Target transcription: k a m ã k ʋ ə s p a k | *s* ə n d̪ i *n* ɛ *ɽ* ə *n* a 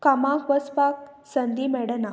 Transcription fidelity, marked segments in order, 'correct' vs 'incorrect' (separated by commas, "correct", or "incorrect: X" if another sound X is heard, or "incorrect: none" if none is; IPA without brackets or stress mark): correct, incorrect: m, correct, correct